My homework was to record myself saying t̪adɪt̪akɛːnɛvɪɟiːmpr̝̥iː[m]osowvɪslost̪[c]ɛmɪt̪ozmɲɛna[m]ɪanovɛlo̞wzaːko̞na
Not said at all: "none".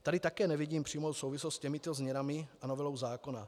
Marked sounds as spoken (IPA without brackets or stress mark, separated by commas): m, c, m